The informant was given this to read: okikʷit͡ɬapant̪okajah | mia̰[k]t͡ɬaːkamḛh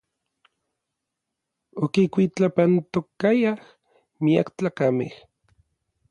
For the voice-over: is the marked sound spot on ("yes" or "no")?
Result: yes